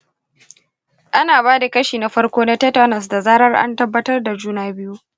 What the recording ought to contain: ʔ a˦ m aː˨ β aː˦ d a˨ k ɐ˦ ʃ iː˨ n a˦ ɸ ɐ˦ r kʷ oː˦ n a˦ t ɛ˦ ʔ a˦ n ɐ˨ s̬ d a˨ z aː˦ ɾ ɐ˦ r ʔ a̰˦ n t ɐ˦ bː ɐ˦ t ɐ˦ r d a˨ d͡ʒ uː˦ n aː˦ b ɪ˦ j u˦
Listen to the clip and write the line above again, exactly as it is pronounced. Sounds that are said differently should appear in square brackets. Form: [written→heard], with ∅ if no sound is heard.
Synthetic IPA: ʔ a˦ [m→n] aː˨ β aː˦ d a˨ k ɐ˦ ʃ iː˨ n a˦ ɸ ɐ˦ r kʷ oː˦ n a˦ t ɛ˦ [ʔ→t] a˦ n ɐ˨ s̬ d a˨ z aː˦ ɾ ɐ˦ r ʔ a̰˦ n t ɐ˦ bː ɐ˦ t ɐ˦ r d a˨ d͡ʒ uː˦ n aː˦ b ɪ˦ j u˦

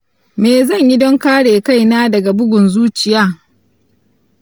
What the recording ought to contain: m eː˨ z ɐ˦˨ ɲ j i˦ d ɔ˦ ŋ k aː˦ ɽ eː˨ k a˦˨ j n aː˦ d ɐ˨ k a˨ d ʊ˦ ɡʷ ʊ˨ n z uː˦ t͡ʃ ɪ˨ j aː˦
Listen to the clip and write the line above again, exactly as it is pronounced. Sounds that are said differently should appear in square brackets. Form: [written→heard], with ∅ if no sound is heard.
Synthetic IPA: m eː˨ z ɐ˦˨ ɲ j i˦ d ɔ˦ ŋ k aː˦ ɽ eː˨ k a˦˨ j n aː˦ d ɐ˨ [k→ɡ] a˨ [d→b] ʊ˦ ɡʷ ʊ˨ n z uː˦ t͡ʃ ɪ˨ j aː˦

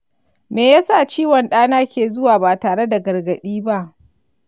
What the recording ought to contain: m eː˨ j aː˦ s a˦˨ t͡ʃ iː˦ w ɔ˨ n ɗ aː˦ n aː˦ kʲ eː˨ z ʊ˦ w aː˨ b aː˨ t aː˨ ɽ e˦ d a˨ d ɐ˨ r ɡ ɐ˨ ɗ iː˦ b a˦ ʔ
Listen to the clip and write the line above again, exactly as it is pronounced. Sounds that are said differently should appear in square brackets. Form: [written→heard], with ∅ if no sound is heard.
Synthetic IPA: m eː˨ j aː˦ s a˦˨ t͡ʃ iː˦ w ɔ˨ n ɗ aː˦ n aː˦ kʲ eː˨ z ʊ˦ w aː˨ b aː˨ t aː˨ ɽ e˦ d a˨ [d→ɡ] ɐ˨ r ɡ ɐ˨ ɗ iː˦ b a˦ ʔ

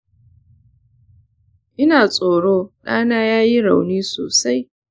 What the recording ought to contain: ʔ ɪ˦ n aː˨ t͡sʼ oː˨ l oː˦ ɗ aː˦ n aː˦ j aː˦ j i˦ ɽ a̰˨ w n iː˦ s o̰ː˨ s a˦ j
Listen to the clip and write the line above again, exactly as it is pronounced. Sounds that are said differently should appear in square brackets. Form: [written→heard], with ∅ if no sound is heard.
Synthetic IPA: ʔ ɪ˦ n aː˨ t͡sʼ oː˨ [l→ɽ] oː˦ ɗ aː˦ n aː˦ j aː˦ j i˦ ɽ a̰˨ w n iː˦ s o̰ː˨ s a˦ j

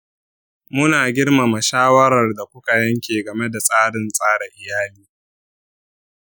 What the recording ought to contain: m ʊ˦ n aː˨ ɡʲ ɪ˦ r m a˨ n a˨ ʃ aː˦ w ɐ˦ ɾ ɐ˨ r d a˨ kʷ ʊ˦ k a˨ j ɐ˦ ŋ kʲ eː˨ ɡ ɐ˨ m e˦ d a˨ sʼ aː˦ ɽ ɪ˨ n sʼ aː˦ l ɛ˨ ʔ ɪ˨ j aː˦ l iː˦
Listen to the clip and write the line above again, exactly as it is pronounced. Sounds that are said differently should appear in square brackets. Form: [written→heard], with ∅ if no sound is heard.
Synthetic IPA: m ʊ˦ n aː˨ ɡʲ ɪ˦ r m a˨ [n→m] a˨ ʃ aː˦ w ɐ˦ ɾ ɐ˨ r d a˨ kʷ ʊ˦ k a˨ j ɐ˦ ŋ kʲ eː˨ ɡ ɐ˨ m e˦ d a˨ sʼ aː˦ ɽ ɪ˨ n sʼ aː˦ [l→ɽ] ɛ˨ ʔ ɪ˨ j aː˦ l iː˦

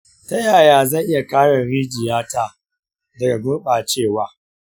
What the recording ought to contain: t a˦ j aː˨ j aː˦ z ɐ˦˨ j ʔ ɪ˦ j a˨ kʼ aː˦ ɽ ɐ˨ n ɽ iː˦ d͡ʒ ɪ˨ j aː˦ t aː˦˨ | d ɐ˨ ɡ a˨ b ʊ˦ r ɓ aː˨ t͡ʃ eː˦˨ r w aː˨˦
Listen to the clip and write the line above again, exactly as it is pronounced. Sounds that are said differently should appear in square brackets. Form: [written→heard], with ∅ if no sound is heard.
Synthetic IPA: t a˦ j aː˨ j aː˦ z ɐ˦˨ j ʔ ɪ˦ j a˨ [kʼ→k] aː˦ ɽ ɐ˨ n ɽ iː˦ d͡ʒ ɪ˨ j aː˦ t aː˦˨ | d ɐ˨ ɡ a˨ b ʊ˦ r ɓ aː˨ t͡ʃ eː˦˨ [r→∅] w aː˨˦

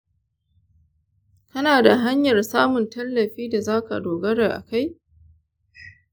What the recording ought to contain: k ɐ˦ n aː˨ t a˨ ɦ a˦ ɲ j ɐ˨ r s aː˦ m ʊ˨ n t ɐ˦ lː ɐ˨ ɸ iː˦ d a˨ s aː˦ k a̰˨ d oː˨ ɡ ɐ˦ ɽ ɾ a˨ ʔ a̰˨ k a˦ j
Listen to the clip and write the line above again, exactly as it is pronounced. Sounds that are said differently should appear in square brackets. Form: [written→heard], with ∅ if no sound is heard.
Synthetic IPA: k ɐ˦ n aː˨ [t→d] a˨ ɦ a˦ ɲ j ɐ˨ r s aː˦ m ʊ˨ n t ɐ˦ lː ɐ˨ ɸ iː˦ d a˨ [s→z] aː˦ k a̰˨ d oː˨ ɡ ɐ˦ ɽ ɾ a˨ ʔ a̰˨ k a˦ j

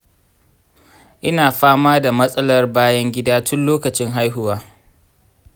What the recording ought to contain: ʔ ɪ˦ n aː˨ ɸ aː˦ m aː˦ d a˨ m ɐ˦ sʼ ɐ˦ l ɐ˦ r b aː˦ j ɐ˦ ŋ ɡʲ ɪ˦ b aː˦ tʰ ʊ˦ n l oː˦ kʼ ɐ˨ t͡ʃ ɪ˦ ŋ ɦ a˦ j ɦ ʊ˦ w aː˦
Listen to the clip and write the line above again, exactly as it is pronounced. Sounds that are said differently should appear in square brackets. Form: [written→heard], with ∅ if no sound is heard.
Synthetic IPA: ʔ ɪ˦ n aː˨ ɸ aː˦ m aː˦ d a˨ m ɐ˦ sʼ ɐ˦ l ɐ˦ r b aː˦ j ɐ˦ ŋ ɡʲ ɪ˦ [b→d] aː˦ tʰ ʊ˦ n l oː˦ [kʼ→k] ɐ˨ t͡ʃ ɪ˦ ŋ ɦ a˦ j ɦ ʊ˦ w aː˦

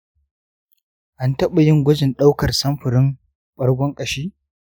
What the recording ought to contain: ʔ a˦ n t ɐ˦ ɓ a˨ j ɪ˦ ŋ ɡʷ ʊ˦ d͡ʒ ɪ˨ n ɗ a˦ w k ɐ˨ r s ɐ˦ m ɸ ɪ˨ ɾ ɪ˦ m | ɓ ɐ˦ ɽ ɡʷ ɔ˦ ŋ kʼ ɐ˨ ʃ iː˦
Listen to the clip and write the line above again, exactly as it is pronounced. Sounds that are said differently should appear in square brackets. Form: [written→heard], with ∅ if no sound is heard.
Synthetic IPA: ʔ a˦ n t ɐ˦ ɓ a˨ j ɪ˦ ŋ ɡʷ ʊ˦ d͡ʒ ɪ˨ n ɗ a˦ w k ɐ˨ r s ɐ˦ m ɸ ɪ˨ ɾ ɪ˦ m | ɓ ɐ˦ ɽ ɡʷ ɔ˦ ŋ kʼ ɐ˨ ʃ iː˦

